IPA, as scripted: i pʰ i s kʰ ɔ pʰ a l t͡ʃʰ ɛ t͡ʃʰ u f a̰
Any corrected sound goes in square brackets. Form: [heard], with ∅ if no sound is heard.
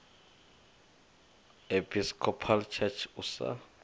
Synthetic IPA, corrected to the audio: [e] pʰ i s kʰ ɔ pʰ a l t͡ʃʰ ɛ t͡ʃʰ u [s] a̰